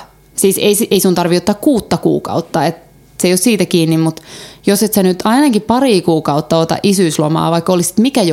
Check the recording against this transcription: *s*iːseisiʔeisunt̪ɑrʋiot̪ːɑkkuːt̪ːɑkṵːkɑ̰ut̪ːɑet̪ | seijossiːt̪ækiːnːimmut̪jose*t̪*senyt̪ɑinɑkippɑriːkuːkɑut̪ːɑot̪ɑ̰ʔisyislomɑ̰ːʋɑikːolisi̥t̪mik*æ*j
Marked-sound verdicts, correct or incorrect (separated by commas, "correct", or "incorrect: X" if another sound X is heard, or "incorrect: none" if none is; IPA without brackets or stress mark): correct, correct, correct